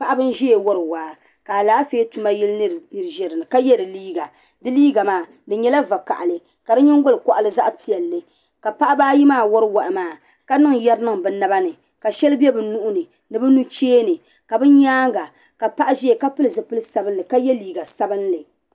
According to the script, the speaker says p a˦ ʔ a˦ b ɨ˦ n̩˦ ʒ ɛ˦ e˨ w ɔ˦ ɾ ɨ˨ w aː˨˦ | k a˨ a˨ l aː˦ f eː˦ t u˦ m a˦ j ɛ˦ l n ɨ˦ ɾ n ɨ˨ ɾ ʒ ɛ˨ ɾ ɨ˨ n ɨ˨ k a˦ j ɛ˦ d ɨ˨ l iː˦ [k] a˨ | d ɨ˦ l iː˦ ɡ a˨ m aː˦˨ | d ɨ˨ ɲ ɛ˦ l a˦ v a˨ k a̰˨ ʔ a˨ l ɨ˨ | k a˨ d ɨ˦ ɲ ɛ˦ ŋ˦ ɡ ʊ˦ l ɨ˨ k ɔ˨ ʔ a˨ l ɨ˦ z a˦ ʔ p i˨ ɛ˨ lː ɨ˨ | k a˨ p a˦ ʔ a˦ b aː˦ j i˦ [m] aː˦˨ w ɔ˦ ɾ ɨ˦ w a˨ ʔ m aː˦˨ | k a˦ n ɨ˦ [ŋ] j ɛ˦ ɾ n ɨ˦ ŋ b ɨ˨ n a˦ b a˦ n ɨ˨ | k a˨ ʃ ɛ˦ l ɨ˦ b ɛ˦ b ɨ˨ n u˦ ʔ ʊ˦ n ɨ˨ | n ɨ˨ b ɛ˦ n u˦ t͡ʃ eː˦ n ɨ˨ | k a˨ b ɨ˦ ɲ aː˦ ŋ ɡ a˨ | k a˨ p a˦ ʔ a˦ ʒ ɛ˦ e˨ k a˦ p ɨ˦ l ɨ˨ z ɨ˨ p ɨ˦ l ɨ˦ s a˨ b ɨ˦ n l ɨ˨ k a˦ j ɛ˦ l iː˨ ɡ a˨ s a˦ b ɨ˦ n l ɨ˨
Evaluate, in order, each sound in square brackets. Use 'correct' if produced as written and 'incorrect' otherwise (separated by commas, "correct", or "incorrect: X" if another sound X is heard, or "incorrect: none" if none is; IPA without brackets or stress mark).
incorrect: ɡ, correct, correct